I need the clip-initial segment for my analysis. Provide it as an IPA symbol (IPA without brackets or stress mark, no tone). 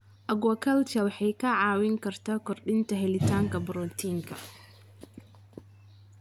ʔ